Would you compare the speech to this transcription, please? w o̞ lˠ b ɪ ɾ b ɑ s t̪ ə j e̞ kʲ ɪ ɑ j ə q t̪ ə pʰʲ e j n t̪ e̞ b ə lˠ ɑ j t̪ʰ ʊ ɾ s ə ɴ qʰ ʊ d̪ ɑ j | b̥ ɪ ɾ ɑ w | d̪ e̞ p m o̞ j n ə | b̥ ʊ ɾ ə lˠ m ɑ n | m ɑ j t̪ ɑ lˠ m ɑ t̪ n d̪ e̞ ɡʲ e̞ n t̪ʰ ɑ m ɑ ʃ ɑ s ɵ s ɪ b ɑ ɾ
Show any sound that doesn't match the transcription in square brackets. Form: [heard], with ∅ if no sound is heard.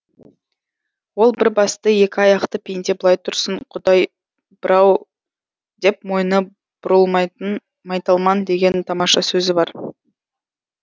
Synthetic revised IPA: w o̞ lˠ b ɪ ɾ b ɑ s t̪ ə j e̞ kʲ ɪ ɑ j [ɑ] q t̪ ə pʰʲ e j n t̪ e̞ b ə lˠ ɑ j t̪ʰ ʊ ɾ s ə ɴ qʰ ʊ d̪ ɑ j | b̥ ɪ ɾ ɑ w | d̪ e̞ p m o̞ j n ə | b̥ ʊ ɾ ə lˠ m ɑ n | m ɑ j t̪ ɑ lˠ m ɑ [∅] n d̪ e̞ ɡʲ e̞ n t̪ʰ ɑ m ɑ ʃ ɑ s ɵ [z] ɪ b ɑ ɾ